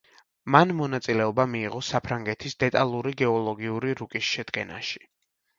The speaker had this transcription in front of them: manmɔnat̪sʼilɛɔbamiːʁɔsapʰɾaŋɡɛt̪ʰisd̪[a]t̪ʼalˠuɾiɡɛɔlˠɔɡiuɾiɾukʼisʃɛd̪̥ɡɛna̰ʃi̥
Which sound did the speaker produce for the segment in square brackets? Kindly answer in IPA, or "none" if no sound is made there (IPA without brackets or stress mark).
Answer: ɛ